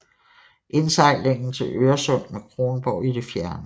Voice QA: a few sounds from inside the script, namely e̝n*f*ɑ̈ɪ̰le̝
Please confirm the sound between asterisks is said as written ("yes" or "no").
no